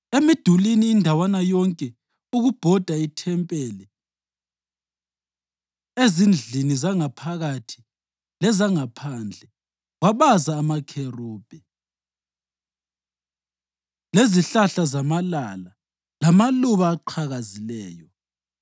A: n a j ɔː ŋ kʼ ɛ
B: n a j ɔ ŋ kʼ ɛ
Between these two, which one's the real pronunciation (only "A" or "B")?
B